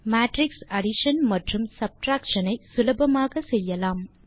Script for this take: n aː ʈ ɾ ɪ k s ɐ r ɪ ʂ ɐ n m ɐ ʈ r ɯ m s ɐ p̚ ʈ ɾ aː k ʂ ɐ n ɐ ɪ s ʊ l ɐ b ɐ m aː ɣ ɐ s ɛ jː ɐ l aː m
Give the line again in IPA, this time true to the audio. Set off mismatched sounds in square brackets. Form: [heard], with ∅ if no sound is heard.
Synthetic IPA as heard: [m] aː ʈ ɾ ɪ k s ɐ [ɽ] ɪ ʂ ɐ n m ɐ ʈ r ɯ m s ɐ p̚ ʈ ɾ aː k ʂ ɐ n ɐ ɪ s ʊ l ɐ b ɐ m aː ɣ ɐ s ɛ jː ɐ l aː m